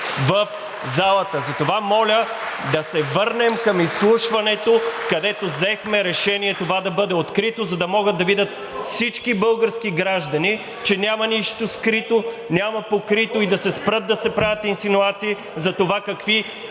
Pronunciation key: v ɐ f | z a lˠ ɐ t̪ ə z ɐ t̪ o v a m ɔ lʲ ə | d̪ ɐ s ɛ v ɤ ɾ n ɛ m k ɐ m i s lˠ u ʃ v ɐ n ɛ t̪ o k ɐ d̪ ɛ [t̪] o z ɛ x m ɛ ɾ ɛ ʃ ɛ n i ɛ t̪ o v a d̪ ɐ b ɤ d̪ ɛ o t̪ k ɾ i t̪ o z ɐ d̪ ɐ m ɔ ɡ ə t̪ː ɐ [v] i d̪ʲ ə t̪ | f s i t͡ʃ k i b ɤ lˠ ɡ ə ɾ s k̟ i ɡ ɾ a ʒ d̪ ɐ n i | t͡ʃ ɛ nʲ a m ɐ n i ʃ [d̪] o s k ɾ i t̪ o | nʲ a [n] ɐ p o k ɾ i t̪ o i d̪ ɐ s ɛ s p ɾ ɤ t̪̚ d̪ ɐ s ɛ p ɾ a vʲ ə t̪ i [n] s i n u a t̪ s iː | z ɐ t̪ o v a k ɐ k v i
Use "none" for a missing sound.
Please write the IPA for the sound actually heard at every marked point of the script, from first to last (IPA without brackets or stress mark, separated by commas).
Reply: t̪, v, t̪, m, n